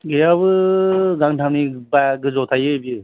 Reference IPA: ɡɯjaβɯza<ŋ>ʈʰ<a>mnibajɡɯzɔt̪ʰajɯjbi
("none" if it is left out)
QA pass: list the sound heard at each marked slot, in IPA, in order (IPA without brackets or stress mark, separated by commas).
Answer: ŋ, a